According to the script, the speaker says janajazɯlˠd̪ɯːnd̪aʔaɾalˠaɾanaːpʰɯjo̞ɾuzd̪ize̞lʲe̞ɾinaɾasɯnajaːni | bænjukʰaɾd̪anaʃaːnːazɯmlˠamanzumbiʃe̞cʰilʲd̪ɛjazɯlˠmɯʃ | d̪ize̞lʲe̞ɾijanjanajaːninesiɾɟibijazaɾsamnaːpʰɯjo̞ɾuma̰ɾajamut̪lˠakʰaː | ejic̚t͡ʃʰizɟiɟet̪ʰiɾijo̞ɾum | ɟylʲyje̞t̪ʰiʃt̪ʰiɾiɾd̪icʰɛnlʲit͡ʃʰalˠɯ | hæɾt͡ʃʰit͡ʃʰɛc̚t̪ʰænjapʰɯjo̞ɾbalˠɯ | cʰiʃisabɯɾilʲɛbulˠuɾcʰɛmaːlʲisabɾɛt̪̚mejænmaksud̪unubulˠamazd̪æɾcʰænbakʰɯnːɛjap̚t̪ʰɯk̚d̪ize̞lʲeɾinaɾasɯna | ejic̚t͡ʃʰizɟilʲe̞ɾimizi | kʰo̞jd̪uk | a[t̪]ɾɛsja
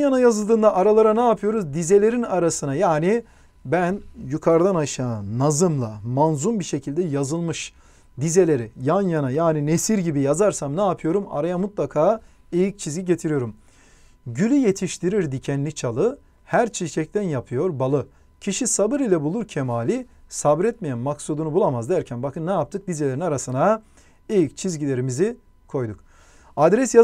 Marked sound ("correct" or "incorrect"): incorrect